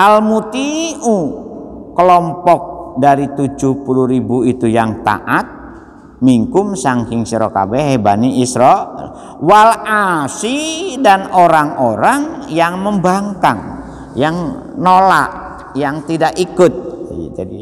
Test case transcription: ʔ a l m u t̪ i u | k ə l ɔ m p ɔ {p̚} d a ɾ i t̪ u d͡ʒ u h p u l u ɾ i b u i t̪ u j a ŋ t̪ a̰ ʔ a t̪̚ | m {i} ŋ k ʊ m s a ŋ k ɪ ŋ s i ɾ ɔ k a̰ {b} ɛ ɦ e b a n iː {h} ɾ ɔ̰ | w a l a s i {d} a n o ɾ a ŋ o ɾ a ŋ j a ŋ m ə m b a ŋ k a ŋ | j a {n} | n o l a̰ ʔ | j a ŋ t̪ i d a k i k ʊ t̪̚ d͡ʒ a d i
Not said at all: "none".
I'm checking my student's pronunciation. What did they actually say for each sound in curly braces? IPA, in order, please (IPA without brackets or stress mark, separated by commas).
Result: k̚, i, b, s, d, ŋ